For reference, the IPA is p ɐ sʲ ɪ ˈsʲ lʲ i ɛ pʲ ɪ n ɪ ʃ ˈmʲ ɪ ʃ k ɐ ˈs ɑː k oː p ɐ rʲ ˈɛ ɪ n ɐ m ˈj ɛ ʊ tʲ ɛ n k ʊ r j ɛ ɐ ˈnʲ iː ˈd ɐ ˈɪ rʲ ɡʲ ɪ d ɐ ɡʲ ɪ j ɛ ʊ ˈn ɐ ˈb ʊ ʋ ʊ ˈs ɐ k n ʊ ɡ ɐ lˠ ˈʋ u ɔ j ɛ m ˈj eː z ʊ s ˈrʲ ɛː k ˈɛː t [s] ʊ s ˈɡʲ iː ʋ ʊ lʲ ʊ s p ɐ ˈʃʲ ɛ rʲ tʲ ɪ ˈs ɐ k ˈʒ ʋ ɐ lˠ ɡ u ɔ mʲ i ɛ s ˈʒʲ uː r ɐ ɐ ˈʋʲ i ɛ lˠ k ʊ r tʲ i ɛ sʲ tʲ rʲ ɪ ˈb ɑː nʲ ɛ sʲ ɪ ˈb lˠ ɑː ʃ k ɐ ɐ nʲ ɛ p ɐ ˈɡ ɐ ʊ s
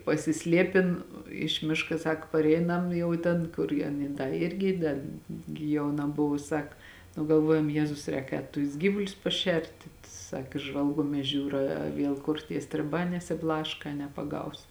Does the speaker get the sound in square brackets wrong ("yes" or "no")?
yes